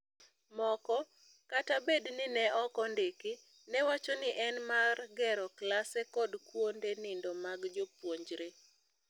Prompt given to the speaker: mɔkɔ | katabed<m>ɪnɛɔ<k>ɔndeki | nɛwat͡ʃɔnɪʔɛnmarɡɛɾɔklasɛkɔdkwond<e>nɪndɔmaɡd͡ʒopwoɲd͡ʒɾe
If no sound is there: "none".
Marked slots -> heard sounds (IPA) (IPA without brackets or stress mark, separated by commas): n, k, e